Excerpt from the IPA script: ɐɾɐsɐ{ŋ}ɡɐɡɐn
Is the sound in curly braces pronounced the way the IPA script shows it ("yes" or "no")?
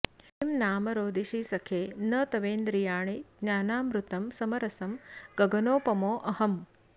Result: no